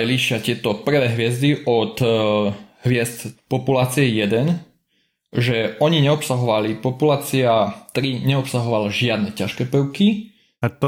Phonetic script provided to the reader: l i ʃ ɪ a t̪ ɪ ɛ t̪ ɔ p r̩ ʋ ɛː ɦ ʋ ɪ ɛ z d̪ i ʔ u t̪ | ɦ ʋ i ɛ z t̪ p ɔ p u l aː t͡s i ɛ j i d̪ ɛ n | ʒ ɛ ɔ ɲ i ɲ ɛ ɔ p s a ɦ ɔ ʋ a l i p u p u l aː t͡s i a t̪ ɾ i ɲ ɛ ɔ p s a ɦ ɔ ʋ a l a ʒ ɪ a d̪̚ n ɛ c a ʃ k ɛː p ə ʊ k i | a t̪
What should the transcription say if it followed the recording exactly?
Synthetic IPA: l i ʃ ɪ a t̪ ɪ ɛ t̪ ɔ p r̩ ʋ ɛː ɦ ʋ ɪ ɛ z d̪ i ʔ ɔ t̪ | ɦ ʋ ɪ ɛ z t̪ p ɔ p u l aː t͡s i ɛ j ɛ d̪ ɛ n | ʒ ɛ ɔ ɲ i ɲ ɛ ɔ p s a ɦ ɔ ʋ a l i p ɔ p u l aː t͡s i a t̪ ɾ i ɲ ɛ ɔ p s a ɦ ɔ ʋ a l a ʒ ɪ a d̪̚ n ɛ c a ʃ k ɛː p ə ʊ k i | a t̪